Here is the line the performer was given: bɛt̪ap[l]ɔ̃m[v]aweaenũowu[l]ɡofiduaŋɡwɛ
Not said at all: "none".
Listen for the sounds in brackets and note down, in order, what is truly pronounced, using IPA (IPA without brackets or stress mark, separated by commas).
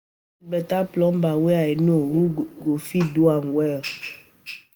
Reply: l, b, none